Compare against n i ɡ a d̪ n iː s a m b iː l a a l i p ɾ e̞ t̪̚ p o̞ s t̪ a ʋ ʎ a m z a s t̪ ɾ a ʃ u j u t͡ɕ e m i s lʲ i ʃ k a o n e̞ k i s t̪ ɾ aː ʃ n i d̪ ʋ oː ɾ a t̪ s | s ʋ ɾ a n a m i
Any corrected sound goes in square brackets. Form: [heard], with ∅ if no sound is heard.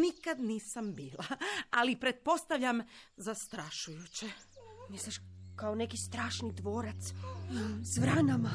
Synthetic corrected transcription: n i [k] a d̪ n iː s a m b iː l a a l i p ɾ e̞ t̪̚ p o̞ s t̪ a ʋ ʎ a m z a s t̪ ɾ a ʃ u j u t͡ɕ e m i s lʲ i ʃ k a o n e̞ k i s t̪ ɾ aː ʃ n i d̪ ʋ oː ɾ a t̪ s | s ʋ ɾ a n a m [a]